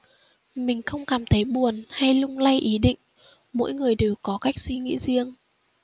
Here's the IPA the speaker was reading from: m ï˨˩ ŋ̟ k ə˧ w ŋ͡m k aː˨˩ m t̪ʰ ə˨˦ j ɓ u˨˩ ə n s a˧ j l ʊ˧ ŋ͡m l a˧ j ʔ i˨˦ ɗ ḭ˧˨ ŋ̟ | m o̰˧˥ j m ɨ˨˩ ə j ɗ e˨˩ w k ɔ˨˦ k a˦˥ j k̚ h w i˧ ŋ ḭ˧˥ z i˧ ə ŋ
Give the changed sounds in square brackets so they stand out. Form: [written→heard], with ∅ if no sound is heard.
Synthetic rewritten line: m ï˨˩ ŋ̟ [k→x] ə˧ w ŋ͡m k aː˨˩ m t̪ʰ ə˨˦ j ɓ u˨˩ ə n [s→h] a˧ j l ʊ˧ ŋ͡m l a˧ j ʔ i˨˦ ɗ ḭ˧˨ ŋ̟ | m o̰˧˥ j [m→ŋ] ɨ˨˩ ə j ɗ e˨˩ w k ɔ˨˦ k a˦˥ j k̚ [h→s] w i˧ ŋ ḭ˧˥ z i˧ ə ŋ